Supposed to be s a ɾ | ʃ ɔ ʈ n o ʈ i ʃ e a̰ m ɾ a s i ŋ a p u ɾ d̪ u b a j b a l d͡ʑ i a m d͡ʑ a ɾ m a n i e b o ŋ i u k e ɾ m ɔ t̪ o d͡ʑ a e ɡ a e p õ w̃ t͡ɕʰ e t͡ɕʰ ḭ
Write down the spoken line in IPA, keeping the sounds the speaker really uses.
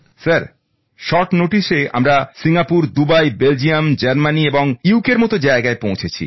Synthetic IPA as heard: s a ɾ | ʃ ɔ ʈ n o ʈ i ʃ e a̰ m ɾ a s i ŋ a p u ɾ d̪ u b a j b e l d͡ʑ i a m d͡ʑ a ɾ m a n i e b o ŋ i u k e ɾ m ɔ t̪ o d͡ʑ a e ɡ a e p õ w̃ t͡ɕʰ e t͡ɕʰ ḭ